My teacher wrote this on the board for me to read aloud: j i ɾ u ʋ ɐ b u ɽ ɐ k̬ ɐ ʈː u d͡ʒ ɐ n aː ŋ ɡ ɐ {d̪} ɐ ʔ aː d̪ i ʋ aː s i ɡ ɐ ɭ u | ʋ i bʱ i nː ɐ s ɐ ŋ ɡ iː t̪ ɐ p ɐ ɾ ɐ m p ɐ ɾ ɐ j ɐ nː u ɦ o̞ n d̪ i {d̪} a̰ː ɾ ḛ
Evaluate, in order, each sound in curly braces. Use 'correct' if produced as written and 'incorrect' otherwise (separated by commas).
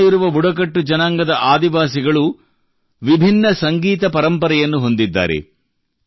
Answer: correct, incorrect